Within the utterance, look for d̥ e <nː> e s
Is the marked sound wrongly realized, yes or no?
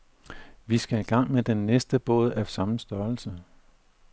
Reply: no